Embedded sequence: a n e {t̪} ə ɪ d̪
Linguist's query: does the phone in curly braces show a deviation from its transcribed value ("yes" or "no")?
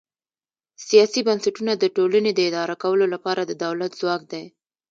yes